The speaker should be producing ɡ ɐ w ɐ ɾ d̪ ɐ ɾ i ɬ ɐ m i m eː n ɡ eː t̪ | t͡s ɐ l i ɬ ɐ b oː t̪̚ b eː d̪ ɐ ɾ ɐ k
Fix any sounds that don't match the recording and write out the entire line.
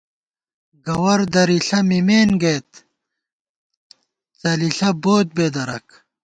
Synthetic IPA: ɡ ɐ w ɐ ɾ d̪ ɐ ɾ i ɬ ɐ m i m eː n ɡ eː t̪ | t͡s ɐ l i ɬ ɐ b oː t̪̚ b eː d̪ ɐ ɾ ɐ k